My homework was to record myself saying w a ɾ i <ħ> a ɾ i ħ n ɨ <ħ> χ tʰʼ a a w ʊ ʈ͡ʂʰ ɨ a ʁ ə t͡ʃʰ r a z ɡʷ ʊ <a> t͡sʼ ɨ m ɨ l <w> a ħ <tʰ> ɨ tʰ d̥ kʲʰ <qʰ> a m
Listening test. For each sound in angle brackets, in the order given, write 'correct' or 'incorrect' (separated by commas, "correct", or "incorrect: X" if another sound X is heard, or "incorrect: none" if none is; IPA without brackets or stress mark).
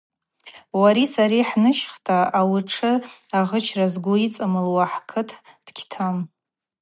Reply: incorrect: s, incorrect: ʃ, incorrect: i, correct, incorrect: kʰ, incorrect: tʰ